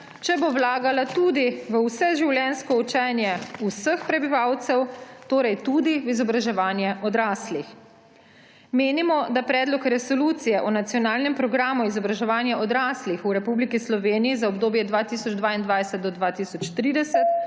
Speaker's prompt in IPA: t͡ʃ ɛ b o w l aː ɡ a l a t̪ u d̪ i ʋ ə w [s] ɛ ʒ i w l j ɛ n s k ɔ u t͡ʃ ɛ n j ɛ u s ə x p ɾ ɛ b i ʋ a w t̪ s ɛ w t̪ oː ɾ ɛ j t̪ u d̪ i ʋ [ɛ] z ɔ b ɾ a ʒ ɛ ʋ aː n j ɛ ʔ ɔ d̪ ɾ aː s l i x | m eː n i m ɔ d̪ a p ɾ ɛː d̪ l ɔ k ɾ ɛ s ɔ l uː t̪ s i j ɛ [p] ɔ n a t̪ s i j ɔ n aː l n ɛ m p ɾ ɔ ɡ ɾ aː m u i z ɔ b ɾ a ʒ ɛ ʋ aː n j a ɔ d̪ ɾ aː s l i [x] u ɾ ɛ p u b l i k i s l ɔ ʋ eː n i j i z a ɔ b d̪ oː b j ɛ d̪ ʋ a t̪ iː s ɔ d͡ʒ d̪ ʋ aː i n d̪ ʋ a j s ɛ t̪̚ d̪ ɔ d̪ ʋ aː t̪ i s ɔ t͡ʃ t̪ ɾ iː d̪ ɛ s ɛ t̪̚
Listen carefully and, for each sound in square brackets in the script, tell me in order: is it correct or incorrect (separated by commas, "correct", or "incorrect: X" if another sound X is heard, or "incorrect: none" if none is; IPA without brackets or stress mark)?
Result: correct, incorrect: i, incorrect: ʔ, correct